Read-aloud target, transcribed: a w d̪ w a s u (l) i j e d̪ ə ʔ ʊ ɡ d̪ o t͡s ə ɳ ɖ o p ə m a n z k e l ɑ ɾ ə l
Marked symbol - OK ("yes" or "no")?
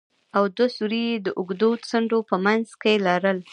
no